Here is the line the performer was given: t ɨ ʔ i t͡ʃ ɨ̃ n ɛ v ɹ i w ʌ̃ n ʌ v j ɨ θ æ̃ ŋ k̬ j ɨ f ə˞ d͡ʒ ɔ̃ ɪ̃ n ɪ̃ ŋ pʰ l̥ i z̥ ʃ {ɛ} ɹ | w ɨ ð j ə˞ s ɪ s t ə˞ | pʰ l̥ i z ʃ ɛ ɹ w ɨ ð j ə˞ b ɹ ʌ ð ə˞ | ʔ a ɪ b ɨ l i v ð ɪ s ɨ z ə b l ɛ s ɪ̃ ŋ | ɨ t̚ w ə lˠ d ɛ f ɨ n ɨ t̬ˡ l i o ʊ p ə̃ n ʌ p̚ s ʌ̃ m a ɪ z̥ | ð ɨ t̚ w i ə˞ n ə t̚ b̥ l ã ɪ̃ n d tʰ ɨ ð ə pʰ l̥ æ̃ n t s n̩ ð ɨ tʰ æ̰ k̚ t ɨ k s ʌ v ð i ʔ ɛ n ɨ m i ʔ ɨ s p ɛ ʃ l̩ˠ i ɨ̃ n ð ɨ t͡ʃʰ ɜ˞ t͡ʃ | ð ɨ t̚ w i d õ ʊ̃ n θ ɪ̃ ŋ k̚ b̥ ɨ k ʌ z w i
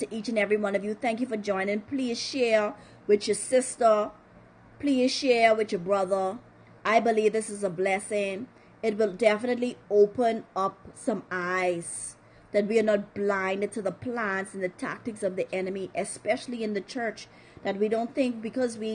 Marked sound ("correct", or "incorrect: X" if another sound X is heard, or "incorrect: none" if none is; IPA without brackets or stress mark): correct